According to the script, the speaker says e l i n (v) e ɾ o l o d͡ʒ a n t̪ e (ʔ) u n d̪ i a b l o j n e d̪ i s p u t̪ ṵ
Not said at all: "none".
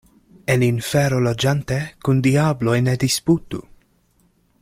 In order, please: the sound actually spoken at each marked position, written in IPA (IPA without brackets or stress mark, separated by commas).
f, k